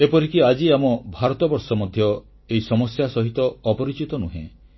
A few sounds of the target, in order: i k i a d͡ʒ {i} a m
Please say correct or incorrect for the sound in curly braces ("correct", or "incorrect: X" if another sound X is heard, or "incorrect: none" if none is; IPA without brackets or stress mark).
correct